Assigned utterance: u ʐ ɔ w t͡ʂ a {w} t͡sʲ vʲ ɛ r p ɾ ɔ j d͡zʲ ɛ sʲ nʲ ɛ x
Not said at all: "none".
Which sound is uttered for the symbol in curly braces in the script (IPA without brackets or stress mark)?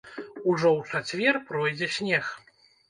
none